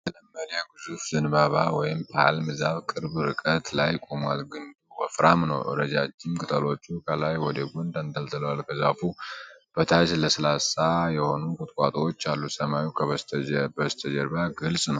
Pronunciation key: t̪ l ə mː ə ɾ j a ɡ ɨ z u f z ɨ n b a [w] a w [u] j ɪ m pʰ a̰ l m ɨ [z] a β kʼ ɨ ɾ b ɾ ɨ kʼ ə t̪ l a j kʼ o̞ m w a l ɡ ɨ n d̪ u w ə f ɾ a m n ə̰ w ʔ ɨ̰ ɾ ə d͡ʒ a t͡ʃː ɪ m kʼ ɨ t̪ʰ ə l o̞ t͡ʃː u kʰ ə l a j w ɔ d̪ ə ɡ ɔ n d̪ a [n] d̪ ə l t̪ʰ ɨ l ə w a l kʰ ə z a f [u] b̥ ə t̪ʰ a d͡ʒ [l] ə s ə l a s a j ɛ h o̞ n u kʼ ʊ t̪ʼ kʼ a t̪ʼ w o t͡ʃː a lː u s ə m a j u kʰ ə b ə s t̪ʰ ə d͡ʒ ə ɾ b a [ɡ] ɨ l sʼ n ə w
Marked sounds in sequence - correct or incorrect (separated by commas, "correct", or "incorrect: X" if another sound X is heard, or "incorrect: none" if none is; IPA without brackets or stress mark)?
incorrect: β, incorrect: ɔ, correct, correct, correct, correct, correct